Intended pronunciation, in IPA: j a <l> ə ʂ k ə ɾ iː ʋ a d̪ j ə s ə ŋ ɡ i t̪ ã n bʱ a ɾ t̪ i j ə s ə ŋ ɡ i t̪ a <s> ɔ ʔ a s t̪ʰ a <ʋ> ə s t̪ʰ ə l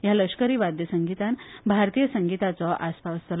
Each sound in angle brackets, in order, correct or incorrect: correct, incorrect: t͡s, correct

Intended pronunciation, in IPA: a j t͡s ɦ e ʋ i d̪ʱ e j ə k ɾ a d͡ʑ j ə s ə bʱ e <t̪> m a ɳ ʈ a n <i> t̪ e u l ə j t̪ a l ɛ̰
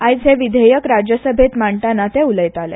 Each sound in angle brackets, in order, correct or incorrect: correct, incorrect: a

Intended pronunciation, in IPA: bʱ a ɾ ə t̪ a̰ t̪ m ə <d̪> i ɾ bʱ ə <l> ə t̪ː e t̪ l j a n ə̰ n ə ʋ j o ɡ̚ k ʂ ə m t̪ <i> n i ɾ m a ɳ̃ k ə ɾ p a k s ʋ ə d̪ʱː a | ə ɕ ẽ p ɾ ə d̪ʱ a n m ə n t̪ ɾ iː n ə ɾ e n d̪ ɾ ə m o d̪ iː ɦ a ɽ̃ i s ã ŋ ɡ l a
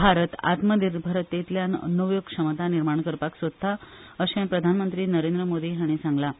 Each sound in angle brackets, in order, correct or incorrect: correct, incorrect: ɾ, incorrect: a

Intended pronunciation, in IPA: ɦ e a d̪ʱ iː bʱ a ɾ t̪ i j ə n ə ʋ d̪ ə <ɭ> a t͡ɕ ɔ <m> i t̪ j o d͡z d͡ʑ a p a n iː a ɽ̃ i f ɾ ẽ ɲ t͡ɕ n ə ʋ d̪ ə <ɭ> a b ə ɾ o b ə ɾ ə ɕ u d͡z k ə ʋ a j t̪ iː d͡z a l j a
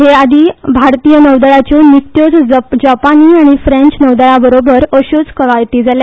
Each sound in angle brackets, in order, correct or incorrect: correct, incorrect: n, correct

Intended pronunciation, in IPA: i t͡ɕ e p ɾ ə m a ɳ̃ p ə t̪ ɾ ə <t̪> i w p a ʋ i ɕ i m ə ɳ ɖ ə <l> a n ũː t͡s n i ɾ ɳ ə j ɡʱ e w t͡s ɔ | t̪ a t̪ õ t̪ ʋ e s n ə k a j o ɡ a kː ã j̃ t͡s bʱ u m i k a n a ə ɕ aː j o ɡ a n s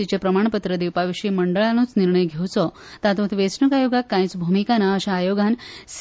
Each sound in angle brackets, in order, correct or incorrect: incorrect: d̪, incorrect: ɭ

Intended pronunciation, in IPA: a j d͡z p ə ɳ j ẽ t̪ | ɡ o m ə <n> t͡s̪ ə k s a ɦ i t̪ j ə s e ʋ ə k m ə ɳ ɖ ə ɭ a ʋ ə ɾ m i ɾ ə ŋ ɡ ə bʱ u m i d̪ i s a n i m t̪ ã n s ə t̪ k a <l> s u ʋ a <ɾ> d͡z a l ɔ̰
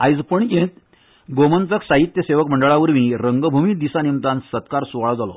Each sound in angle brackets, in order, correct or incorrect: correct, incorrect: ɾ, incorrect: ɭ

